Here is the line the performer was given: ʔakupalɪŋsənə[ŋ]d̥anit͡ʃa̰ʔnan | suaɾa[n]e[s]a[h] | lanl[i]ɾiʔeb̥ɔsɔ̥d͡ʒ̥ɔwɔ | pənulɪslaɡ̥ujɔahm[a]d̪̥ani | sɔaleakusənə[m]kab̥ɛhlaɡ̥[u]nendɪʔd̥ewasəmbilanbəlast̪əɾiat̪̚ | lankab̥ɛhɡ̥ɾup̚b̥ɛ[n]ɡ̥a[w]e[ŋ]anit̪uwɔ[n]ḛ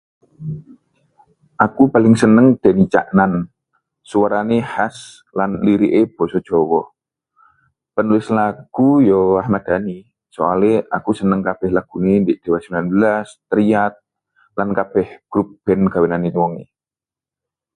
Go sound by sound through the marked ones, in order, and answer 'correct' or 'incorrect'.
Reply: correct, correct, incorrect: h, incorrect: s, correct, correct, incorrect: ŋ, correct, correct, correct, incorrect: n, incorrect: ŋ

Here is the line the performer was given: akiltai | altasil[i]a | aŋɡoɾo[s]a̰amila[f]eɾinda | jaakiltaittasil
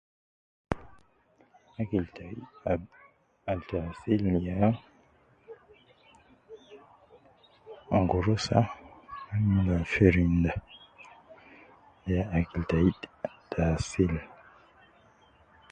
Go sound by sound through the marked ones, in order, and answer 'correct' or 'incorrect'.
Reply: incorrect: j, correct, correct

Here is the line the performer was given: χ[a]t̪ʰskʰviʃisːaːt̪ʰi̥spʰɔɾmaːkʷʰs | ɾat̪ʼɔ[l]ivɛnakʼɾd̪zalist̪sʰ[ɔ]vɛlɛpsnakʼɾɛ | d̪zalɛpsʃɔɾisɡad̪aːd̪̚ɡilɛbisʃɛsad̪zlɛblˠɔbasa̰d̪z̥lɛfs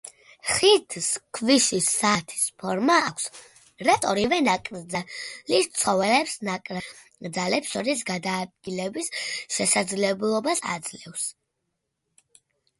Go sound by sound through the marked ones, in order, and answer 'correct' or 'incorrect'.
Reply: incorrect: i, incorrect: ɾ, correct

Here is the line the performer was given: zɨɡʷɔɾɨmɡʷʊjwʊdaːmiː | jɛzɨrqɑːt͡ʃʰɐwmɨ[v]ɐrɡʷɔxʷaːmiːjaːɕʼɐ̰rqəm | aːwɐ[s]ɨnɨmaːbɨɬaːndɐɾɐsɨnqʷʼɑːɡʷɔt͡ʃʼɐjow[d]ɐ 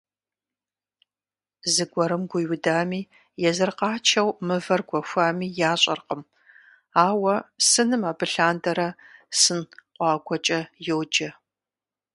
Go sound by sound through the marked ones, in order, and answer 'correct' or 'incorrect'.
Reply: correct, correct, incorrect: d͡ʒ

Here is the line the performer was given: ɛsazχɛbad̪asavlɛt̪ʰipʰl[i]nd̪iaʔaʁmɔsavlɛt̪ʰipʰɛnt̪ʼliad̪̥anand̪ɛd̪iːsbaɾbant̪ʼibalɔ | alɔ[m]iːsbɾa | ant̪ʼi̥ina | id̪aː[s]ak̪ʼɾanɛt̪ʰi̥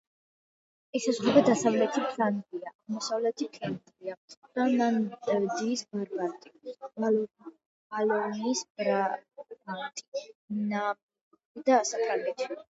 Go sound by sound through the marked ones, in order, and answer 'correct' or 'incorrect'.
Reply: incorrect: a, incorrect: n, correct

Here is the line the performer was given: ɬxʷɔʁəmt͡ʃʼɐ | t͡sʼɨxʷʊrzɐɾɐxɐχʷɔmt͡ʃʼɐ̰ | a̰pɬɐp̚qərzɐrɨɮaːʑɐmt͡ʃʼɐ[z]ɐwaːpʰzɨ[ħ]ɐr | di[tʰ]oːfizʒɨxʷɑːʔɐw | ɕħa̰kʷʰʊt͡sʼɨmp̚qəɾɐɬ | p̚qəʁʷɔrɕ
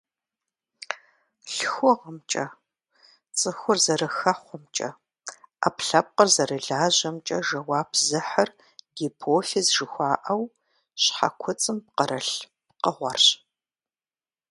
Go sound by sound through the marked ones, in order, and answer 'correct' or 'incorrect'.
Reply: incorrect: ʒ, correct, incorrect: pʰ

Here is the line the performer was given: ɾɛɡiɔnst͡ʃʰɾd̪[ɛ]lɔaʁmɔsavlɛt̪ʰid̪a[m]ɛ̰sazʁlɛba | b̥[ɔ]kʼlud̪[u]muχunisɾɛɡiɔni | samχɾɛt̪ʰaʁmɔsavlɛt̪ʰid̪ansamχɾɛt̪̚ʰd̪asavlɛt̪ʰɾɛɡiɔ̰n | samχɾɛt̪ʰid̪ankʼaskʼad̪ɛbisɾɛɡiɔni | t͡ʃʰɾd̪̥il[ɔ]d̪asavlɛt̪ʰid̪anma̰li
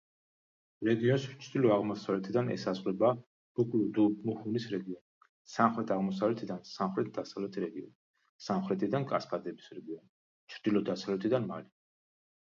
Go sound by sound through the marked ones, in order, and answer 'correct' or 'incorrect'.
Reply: incorrect: i, incorrect: n, incorrect: u, correct, correct

